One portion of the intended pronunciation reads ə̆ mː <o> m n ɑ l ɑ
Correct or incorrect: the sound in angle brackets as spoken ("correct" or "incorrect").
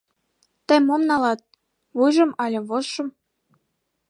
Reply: correct